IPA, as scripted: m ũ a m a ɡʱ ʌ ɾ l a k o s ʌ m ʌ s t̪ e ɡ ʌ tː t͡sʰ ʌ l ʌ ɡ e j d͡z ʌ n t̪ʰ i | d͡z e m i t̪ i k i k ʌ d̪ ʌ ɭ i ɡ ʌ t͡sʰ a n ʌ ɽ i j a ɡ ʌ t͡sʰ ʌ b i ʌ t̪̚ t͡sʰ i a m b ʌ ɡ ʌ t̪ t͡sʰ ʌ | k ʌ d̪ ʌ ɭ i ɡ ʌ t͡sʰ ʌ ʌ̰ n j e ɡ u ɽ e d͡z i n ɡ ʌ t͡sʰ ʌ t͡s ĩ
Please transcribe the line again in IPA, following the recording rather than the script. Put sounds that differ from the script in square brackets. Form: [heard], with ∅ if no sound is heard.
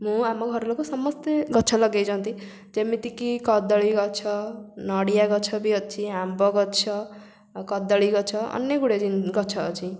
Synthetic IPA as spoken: m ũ a m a ɡʱ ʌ ɾ l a k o s ʌ m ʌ s t̪ e ɡ ʌ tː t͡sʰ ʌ l ʌ ɡ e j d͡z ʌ n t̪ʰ i | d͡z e m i t̪ i k i k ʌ d̪ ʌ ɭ i ɡ ʌ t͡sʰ [ʌ] n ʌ ɽ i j a ɡ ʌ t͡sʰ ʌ b i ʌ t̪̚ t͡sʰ i a m b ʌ ɡ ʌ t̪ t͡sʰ ʌ | k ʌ d̪ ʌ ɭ i ɡ ʌ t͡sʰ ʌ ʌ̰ n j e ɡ u ɽ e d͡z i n ɡ ʌ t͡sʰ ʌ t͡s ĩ